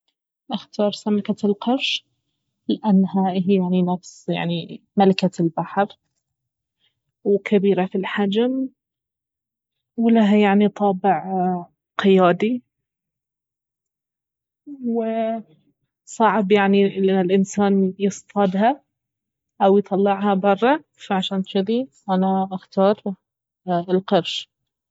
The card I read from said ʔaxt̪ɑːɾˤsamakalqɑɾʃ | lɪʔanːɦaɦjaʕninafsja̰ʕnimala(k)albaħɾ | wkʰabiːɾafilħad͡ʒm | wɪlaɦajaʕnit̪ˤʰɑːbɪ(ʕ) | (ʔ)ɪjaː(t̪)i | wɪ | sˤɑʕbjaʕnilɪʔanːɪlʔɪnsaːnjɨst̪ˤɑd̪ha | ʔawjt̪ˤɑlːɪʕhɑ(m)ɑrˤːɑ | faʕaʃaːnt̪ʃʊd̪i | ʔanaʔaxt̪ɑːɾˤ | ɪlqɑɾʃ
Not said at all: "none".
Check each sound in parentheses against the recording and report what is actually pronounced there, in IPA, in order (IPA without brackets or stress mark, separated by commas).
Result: k, ʕ, q, d̪, b